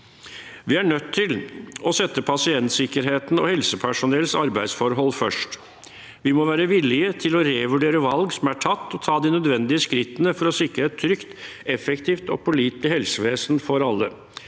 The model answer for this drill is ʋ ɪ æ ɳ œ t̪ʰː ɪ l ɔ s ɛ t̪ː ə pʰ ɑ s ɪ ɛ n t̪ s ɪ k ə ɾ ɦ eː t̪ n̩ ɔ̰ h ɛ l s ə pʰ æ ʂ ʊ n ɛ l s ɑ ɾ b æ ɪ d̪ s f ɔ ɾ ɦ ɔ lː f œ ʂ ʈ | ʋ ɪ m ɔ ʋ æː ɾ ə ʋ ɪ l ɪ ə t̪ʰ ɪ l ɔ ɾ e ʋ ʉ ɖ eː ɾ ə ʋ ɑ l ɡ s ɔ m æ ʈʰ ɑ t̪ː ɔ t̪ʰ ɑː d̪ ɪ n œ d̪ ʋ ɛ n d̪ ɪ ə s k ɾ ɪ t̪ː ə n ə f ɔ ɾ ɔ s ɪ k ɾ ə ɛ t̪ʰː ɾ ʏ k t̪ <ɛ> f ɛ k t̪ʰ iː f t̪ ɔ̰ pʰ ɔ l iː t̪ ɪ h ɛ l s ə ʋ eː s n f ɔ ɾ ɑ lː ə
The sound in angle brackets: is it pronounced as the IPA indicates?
yes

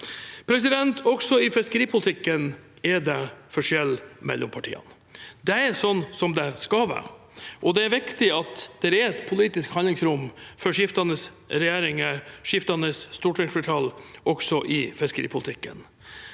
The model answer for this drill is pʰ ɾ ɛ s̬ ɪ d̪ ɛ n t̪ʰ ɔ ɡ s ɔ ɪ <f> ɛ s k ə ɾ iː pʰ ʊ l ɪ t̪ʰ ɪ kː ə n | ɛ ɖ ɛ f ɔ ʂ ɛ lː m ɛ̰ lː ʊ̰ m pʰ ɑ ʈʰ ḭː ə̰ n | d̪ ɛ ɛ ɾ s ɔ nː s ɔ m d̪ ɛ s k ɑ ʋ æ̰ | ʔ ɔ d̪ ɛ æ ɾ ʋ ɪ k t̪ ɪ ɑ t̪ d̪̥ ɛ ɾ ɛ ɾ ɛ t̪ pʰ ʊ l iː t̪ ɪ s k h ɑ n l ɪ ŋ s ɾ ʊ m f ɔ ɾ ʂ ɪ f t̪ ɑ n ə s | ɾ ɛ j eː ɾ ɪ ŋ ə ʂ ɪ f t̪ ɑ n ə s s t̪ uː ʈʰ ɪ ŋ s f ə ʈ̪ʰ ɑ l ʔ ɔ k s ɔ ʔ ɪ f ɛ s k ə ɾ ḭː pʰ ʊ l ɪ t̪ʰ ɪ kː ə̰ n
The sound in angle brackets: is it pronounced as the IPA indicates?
yes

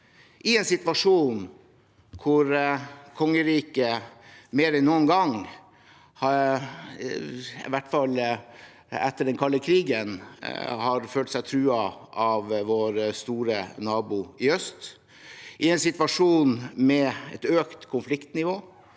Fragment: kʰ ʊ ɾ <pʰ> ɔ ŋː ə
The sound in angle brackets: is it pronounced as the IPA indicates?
no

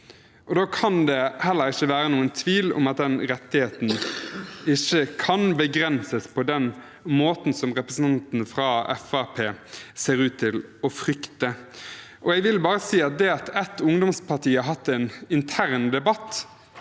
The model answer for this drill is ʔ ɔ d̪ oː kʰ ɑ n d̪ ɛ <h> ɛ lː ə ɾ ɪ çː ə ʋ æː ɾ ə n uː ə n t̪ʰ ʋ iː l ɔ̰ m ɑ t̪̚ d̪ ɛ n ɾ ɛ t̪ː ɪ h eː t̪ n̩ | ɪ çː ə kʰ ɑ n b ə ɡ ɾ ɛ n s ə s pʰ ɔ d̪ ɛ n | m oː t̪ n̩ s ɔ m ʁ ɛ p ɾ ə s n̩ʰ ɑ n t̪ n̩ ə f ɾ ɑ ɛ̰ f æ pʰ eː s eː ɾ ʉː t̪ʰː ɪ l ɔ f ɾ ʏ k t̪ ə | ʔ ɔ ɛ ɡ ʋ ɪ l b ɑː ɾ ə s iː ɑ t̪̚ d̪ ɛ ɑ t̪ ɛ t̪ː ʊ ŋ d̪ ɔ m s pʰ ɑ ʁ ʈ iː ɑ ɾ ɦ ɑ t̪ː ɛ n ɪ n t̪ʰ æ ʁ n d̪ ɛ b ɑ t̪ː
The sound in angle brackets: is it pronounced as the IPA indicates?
yes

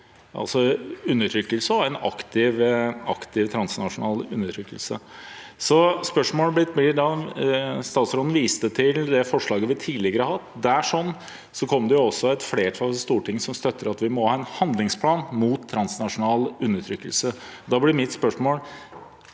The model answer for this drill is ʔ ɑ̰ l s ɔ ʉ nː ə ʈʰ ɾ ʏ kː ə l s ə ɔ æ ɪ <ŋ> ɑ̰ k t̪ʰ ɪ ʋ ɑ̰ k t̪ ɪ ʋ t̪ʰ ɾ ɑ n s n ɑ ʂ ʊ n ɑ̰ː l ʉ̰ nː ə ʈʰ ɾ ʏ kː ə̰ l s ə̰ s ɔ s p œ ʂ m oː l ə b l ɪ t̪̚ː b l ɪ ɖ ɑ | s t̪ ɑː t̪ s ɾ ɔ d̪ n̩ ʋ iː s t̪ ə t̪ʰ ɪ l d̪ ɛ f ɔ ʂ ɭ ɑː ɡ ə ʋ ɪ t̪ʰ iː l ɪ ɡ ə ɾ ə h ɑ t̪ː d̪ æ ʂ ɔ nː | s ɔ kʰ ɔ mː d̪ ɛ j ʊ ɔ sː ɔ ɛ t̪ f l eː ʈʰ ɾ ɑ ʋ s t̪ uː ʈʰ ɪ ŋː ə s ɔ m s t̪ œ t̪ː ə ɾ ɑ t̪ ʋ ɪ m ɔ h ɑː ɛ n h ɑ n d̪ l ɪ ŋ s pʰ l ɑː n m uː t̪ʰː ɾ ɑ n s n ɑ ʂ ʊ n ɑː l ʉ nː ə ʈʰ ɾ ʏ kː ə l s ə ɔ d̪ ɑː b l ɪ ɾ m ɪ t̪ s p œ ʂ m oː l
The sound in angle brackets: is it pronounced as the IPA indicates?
no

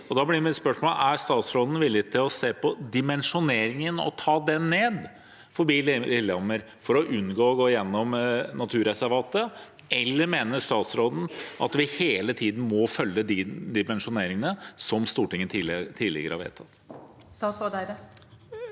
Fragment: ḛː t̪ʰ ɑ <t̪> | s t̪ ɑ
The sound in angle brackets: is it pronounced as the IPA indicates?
yes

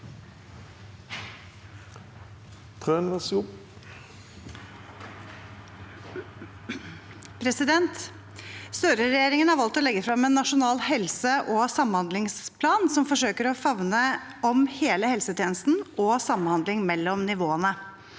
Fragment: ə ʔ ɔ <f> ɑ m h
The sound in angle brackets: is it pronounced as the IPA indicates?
no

